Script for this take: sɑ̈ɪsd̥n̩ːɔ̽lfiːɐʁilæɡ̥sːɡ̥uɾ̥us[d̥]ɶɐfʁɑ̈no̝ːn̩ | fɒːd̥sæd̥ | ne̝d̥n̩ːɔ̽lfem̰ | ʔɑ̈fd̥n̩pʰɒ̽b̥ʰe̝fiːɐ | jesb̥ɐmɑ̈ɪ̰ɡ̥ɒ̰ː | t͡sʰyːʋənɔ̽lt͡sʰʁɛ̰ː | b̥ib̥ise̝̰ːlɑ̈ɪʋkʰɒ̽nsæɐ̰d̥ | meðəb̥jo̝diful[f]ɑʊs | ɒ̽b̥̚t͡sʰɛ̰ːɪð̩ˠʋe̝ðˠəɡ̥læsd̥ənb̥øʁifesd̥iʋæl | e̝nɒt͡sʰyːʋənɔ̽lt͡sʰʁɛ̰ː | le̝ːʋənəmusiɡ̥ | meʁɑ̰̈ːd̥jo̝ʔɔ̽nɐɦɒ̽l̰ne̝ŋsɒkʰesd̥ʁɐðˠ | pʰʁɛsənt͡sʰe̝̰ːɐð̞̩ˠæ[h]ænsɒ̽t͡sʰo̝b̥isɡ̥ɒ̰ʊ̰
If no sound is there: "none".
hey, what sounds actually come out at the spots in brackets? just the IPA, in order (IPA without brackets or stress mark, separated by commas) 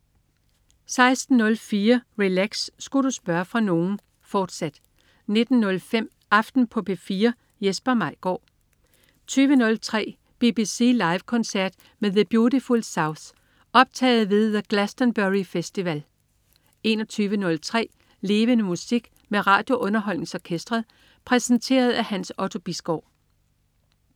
b̥, s, h